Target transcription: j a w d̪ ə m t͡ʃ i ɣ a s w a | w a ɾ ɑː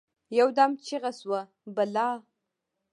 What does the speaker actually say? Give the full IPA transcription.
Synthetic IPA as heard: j a w d̪ a m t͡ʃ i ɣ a s w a | b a l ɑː